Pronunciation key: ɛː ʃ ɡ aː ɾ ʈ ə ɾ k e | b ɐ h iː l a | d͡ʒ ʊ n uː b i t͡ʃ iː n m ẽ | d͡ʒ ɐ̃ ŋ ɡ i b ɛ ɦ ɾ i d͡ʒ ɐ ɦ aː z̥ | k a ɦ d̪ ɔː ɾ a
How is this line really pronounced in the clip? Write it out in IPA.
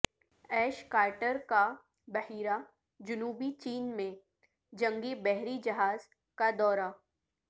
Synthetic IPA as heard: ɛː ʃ k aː ɾ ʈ ə ɾ k a | b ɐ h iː ɾ a | d͡ʒ ʊ n uː b i t͡ʃ iː n m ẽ | d͡ʒ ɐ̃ ŋ ɡ i b ɛ ɦ ɾ i d͡ʒ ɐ ɦ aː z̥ | k a d̪ ɔː ɾ a